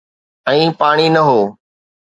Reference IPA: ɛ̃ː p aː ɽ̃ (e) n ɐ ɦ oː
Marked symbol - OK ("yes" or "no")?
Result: no